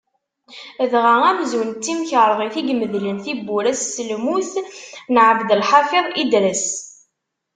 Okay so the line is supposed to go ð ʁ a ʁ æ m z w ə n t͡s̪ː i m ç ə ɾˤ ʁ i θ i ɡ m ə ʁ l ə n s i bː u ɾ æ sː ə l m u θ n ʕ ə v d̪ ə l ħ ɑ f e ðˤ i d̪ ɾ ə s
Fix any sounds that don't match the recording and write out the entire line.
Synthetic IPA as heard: ð ʁ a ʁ æ m z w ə n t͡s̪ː i m ç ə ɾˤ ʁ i θ i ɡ m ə ð l ə n θ i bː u ɾ æ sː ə l m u θ n ʕ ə v d̪ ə l ħ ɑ f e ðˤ i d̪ ɾ ə s